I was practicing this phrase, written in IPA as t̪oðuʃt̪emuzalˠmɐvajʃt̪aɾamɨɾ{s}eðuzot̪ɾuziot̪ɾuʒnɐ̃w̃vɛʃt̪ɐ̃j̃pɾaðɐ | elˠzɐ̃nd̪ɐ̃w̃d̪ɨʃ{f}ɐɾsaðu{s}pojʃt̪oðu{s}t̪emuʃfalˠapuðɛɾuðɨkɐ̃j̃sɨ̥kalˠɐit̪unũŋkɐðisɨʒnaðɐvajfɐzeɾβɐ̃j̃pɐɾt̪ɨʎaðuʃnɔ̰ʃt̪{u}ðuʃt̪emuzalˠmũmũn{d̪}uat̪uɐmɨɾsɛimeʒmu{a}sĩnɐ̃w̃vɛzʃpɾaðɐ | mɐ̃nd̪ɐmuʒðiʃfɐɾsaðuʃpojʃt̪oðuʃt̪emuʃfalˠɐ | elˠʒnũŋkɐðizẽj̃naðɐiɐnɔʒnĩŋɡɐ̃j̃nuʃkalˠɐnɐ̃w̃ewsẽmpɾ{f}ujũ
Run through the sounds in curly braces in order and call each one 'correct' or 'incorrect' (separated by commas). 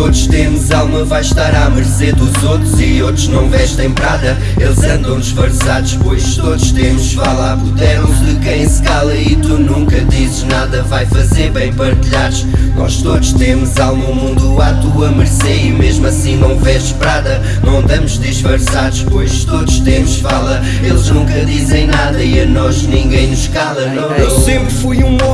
correct, correct, incorrect, incorrect, incorrect, correct, incorrect, correct